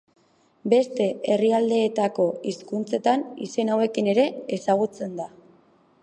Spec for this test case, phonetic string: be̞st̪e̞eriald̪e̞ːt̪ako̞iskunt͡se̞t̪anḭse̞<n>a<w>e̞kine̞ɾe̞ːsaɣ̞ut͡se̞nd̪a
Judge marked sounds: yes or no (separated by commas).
yes, yes